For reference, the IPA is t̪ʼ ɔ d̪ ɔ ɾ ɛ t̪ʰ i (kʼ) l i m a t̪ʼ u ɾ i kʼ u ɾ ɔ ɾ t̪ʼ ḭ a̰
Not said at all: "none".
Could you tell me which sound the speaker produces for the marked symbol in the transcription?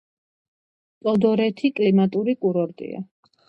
kʼ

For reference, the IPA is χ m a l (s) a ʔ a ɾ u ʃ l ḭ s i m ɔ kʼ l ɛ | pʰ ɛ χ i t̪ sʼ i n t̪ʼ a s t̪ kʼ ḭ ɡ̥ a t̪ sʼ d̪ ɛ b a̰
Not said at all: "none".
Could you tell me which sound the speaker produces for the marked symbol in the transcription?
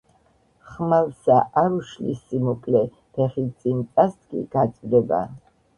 s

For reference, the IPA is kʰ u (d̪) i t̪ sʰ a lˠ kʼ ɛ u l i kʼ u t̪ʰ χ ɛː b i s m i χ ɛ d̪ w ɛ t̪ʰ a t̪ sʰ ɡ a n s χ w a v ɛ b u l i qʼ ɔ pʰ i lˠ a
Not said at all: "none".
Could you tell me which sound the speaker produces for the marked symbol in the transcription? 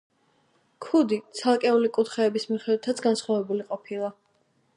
d̪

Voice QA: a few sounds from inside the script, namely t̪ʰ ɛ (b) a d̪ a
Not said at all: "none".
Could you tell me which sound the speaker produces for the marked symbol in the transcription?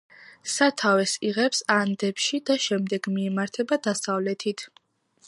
b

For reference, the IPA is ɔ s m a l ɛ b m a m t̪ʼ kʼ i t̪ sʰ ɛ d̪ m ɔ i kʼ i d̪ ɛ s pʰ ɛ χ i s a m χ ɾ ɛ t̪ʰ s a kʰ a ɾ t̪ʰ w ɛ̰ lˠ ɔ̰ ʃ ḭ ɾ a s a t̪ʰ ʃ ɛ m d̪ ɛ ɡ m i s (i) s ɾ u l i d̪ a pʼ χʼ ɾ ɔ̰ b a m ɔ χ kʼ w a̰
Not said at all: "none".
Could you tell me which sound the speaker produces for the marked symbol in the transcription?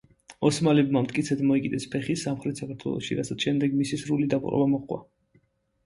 i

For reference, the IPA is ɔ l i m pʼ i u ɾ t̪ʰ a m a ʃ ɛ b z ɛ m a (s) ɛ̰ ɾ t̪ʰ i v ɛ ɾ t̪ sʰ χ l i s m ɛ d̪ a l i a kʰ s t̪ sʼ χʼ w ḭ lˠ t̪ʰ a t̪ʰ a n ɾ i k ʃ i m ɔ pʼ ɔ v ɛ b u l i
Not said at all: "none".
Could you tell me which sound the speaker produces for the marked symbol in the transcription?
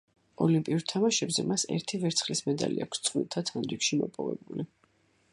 s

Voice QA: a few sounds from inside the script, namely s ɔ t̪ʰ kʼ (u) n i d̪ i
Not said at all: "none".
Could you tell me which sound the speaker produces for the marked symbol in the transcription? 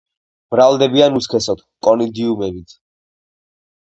ɔ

